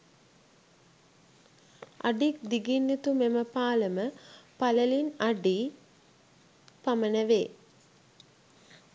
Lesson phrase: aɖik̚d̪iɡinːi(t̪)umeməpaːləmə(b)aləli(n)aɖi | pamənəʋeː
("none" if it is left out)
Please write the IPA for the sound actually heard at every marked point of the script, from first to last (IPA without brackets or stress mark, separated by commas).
t̪, p, n